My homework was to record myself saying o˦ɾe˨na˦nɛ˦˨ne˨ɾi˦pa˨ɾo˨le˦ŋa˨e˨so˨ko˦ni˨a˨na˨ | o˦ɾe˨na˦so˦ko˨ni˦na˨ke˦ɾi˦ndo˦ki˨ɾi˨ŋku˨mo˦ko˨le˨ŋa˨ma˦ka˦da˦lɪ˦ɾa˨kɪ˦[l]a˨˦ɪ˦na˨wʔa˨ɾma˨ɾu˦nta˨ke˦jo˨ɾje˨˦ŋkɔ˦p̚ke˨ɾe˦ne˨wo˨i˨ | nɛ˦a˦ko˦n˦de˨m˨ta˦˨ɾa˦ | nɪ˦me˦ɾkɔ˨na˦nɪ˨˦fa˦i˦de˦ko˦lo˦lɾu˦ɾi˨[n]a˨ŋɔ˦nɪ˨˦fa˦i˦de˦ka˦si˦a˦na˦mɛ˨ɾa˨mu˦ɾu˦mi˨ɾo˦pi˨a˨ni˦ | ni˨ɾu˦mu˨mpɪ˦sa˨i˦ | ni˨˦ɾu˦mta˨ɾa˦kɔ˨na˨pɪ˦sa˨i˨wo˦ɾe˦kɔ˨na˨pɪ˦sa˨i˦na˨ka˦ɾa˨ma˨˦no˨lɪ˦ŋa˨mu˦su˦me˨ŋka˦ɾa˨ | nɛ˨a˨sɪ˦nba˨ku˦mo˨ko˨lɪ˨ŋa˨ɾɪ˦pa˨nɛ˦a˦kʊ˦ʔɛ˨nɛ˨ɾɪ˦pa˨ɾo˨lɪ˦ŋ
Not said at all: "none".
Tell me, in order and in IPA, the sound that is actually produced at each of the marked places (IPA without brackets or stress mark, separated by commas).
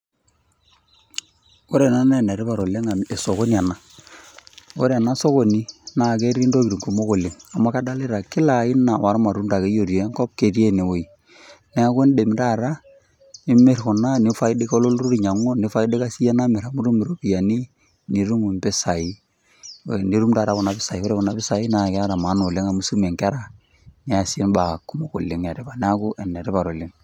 l, ɲ